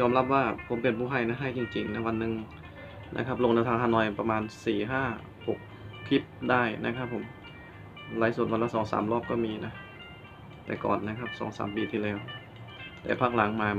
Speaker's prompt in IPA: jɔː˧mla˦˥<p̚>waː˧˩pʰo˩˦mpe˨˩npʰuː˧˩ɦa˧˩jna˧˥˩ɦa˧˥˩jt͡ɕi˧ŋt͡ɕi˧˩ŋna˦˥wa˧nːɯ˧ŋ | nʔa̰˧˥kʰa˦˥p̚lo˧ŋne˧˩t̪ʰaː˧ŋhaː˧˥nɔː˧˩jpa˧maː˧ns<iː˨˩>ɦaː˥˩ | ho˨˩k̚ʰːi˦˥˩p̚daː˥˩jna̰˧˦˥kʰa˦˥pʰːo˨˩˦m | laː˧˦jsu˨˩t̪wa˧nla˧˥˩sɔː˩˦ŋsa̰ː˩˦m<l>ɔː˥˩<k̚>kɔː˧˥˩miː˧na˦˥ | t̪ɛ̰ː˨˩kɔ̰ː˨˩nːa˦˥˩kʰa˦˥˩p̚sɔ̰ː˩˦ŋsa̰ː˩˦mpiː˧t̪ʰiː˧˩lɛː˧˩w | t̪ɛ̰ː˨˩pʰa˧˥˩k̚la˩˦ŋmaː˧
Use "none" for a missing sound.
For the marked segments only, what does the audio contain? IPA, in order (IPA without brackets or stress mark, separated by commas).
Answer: p̚, iː˨˩, l, p̚